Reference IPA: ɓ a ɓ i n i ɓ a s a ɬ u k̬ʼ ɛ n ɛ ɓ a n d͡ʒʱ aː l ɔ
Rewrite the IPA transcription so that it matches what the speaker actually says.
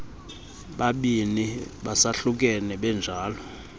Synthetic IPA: ɓ a ɓ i n i ɓ a s a ɬ u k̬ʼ ɛ n ɛ ɓ ɛ n d͡ʒʱ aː l ɔ